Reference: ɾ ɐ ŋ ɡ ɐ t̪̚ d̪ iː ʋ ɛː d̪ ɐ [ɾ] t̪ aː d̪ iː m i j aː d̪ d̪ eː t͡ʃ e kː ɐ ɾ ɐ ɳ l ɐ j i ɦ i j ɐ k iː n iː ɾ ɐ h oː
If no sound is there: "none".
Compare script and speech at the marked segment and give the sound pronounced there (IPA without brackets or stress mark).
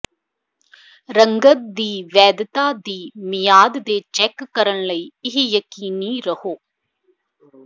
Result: none